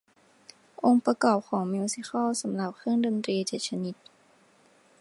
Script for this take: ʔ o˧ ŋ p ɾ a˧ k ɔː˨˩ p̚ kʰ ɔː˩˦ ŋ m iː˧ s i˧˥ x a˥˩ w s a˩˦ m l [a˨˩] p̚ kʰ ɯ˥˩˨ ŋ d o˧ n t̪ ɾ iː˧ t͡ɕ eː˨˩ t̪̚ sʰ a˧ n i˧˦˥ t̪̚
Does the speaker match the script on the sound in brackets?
yes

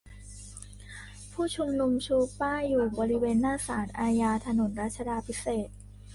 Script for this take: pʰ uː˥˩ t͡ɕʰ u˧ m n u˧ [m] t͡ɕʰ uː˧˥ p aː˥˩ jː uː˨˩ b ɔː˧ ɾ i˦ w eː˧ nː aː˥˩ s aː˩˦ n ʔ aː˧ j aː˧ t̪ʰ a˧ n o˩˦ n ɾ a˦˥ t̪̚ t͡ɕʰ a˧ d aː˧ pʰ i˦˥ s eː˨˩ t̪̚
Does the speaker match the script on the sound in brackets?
yes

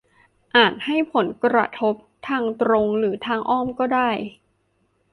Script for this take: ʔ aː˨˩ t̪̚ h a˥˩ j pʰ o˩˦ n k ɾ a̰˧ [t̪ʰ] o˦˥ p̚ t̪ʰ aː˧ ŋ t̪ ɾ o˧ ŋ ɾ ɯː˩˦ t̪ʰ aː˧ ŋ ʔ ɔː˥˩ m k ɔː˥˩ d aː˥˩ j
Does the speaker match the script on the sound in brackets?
yes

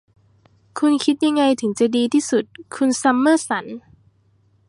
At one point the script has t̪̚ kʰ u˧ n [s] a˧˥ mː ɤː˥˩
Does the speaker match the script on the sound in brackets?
yes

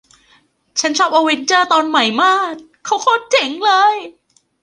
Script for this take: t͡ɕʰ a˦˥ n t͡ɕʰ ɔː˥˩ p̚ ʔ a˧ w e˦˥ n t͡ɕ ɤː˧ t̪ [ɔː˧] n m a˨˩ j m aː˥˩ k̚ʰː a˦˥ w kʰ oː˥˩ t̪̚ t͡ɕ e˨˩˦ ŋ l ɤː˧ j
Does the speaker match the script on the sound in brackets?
yes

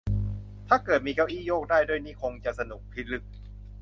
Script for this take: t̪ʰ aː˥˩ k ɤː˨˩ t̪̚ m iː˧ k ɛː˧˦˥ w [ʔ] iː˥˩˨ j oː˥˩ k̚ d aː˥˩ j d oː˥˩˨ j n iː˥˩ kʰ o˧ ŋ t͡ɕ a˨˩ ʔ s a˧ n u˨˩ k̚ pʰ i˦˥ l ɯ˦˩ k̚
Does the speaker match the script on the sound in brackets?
yes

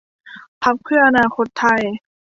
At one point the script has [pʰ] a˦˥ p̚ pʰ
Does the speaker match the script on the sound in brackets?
yes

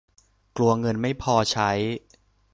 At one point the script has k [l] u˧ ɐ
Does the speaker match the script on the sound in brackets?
yes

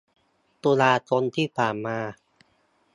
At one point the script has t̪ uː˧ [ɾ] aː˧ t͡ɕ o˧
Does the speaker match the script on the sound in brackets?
no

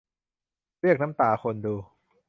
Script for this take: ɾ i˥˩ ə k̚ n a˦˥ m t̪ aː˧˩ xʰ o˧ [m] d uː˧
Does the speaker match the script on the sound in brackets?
no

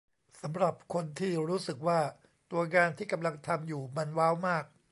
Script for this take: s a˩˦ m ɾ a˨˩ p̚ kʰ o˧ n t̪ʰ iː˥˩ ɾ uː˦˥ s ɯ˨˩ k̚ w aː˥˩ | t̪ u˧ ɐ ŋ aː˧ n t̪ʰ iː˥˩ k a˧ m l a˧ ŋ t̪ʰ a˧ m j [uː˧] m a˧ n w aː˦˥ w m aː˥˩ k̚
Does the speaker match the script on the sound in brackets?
no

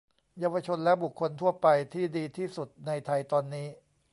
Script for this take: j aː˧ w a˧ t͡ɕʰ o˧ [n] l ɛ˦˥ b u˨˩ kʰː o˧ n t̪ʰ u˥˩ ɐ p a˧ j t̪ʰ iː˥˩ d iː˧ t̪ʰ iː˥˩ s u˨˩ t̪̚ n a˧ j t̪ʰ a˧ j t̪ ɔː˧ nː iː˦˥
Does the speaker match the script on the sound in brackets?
yes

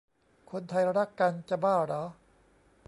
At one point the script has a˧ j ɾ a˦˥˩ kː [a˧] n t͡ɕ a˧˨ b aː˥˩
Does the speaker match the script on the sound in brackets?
yes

